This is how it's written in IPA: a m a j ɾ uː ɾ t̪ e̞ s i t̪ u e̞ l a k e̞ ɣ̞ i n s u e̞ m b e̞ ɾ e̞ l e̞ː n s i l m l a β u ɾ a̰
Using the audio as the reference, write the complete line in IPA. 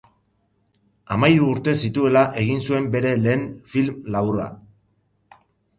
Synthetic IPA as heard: a m a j ɾ uː ɾ t̪ e̞ s i t̪ u e̞ l a ʔ e̞ ɣ̞ i n s u e̞ m b e̞ ɾ e̞ l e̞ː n f i l m l a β u ɾ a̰

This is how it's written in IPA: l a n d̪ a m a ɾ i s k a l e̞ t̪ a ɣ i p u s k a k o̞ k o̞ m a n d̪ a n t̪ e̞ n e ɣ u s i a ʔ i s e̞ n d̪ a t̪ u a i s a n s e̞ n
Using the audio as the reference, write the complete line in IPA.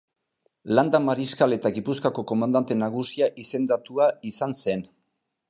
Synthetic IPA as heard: l a n d̪ a m a ɾ i s k a l e̞ t̪ a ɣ i p u s k a k o̞ k o̞ m a n d̪ a n t̪ e̞ n a ɣ u s i a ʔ i s e̞ n d̪ a t̪ u a i s a n s e̞ n

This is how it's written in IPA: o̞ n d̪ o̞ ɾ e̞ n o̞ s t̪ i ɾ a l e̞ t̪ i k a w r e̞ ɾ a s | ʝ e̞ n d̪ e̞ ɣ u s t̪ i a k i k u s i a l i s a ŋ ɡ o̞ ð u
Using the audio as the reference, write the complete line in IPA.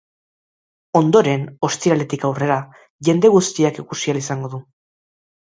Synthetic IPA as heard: o̞ n d̪ o̞ ɾ e̞ n o̞ s t̪ i ɾ a l e̞ t̪ i k a w r e̞ ɾ a | ʝ e̞ n d̪ e̞ ɣ u s t̪ i a k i k u s i a l i s a ŋ ɡ o̞ ð u

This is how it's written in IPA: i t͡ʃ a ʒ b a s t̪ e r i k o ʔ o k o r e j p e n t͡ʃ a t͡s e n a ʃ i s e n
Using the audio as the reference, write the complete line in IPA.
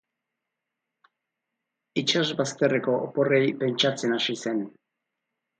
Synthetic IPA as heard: i t͡ʃ a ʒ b a s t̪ e r e k o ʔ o p o r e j p e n t͡ʃ a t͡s e n a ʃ i s e n

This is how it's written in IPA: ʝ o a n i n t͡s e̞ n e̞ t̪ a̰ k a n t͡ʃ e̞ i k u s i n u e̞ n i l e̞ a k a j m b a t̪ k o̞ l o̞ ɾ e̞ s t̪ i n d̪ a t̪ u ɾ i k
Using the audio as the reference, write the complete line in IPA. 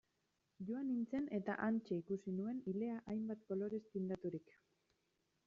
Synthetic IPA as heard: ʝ o a n i n t͡s e̞ n e̞ t̪ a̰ ʔ a n t͡ʃ e̞ i k u s i n u e̞ n i l e̞ a ʔ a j m b a t̪ k o̞ l o̞ ɾ e̞ s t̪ i n d̪ a t̪ u ɾ i k

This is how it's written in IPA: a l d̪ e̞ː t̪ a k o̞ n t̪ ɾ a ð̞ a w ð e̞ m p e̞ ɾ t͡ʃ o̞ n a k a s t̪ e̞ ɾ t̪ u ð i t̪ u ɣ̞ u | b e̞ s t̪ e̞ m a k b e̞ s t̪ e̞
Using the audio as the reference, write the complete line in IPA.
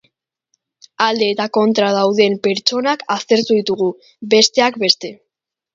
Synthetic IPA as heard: a l d̪ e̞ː t̪ a k o̞ n t̪ ɾ a ð̞ a w ð e̞ m p e̞ ɾ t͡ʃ o̞ n a k a s t̪ e̞ ɾ t̪ u ð i t̪ u ɣ̞ u | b e̞ s t̪ e̞ a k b e̞ s t̪ e̞

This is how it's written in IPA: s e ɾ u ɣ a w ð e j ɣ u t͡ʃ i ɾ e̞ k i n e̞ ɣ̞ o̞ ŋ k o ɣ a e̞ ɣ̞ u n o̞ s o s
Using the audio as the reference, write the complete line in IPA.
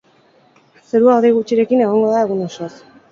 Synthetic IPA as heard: s e ɾ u a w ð e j ɣ u t͡ʃ i ɾ e̞ k i n e̞ ɣ̞ o̞ ŋ ɡ o ð a e̞ ɣ̞ u n o̞ s o s

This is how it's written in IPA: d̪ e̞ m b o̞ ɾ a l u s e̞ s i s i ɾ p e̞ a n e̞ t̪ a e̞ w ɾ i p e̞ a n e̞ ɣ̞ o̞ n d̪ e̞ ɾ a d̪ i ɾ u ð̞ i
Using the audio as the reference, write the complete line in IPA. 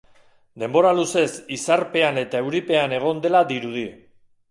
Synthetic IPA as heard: d̪ e̞ m b o̞ ɾ a l u s e̞ s i s a ɾ p e̞ a n e̞ t̪ a e̞ w ɾ i p e̞ a n e̞ ɣ̞ o̞ n d̪ e̞ l a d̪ i ɾ u ð̞ i

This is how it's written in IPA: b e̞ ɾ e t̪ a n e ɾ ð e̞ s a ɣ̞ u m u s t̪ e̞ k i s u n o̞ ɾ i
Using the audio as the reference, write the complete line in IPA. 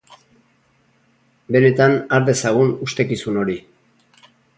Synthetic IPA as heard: b e̞ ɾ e t̪ a n a ɾ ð e̞ s a ɣ̞ u n u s t̪ e̞ k i s u n o̞ ɾ i

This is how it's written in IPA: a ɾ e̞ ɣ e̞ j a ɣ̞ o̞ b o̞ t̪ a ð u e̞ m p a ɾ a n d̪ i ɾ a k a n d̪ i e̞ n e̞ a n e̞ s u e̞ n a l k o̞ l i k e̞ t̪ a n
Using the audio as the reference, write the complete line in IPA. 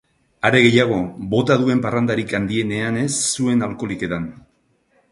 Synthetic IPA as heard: a ɾ e̞ ɣ e̞ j a ɣ̞ o̞ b o̞ t̪ a ð u e̞ m p a r a n d̪ a ɾ i k a n d̪ i e̞ n e̞ a n e̞ sː u e̞ n a l k o̞ l i k e̞ t̪ a n

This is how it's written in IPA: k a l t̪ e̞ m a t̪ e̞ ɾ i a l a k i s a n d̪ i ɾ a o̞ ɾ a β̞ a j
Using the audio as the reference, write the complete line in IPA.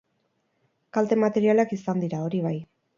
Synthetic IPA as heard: k a l t̪ e̞ m a t̪ e̞ ɾ i a l a k i s a n d̪ i ɾ a o̞ ɾ i β̞ a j

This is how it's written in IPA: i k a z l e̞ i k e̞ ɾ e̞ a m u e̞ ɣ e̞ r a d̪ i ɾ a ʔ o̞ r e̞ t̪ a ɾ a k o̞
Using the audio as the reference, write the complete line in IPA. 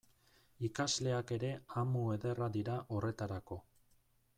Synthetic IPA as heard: i k a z l e̞ a k e̞ ɾ e̞ a m u e̞ ð e̞ r a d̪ i ɾ a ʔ o̞ r e̞ t̪ a ɾ a k o̞

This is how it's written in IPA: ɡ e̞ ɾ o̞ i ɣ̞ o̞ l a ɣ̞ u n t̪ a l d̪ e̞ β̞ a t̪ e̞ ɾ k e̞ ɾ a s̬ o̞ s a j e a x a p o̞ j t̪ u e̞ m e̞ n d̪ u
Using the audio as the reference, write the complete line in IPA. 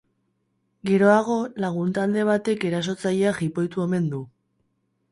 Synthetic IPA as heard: ɡ e̞ ɾ o̞ a ɣ̞ o̞ l a ɣ̞ u n t̪ a l d̪ e̞ β̞ a t̪ e̞ k e̞ ɾ a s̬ o̞ t͡s a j e a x i p o̞ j t̪ u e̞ m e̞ n d̪ u

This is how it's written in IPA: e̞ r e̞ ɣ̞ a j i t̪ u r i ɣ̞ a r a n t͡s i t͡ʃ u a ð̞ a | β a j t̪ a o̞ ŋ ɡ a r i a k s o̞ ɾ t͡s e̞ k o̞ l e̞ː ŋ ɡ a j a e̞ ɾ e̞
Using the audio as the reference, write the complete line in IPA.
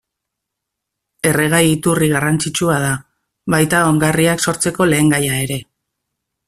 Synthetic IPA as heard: e̞ r e̞ ɣ̞ a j i t̪ u r i ɣ̞ a r a n t͡s i t͡ʃ u a ð̞ a | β a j t̪ a o̞ ŋ ɡ a r i a k s o̞ ɾ t͡s e̞ k o̞ l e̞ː ŋ ɡ a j a e̞ ɾ e̞

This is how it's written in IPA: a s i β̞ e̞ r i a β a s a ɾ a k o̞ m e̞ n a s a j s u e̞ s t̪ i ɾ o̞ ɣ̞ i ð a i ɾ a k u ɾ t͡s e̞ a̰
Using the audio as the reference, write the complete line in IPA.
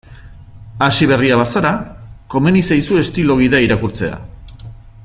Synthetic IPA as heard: a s i β̞ e̞ r i a β a s a ɾ a k o̞ m e̞ n i s a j s u e̞ s t̪ i l o̞ ɣ̞ i ð a i ɾ a k u ɾ t͡s e̞ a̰

